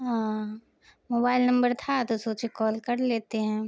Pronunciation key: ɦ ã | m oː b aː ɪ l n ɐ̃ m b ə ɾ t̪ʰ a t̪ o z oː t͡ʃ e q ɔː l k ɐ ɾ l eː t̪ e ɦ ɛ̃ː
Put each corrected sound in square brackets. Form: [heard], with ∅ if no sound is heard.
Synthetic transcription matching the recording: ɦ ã | m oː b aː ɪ l n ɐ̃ m b ə ɾ t̪ʰ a t̪ o [s] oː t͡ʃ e [k] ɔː l k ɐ ɾ l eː t̪ e ɦ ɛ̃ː